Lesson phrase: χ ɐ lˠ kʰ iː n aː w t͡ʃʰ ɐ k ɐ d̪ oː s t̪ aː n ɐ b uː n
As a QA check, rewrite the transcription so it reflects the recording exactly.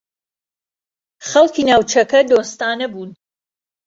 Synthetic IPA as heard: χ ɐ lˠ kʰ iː n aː w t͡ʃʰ ɐ k ɐ d̪ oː s t̪ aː n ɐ b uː n